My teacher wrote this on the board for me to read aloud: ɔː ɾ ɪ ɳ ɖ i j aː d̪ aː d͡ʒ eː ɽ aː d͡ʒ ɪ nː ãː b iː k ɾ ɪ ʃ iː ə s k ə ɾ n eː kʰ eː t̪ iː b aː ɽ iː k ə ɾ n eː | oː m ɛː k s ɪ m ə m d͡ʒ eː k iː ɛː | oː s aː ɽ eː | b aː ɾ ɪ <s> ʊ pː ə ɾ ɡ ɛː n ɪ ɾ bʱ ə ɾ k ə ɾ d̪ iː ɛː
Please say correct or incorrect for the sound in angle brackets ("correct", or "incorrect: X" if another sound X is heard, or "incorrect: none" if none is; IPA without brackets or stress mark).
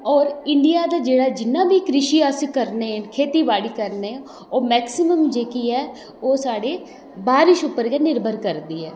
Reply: incorrect: ʃ